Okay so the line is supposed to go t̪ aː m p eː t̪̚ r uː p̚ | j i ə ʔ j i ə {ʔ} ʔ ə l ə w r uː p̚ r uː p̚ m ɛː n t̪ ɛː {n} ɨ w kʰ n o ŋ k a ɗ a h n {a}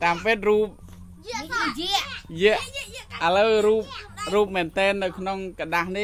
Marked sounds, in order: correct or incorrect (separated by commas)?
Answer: correct, incorrect, incorrect